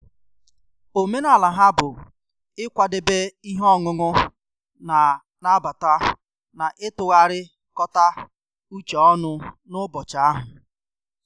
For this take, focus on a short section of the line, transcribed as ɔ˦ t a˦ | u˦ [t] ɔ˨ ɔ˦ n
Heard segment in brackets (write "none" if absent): t͡ʃ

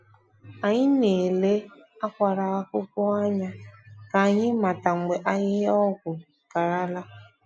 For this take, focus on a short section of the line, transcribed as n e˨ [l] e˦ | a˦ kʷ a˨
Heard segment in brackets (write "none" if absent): l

